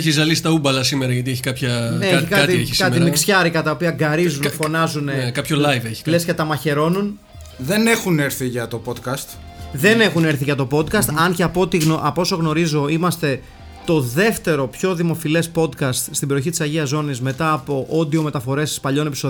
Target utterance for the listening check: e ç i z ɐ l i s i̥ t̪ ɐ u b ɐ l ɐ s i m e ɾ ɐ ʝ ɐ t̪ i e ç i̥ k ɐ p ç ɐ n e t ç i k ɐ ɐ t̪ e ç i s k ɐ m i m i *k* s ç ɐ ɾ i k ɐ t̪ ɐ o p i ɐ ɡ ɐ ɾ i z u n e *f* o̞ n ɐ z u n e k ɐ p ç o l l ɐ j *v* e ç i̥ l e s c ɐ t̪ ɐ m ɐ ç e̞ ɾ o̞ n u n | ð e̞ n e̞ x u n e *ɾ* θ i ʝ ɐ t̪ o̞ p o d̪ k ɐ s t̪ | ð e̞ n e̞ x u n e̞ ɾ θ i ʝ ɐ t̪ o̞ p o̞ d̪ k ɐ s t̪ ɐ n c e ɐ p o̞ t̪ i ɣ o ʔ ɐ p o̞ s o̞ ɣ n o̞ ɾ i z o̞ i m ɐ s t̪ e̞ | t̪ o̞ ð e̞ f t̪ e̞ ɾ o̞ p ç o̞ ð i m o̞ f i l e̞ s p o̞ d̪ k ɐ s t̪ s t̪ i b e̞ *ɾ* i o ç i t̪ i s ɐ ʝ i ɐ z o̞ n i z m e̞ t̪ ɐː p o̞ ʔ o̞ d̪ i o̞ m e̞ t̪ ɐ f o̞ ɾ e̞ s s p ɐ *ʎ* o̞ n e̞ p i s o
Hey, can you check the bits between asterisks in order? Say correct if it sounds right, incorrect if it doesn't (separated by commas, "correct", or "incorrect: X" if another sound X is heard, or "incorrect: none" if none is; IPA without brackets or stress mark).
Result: correct, correct, correct, correct, correct, correct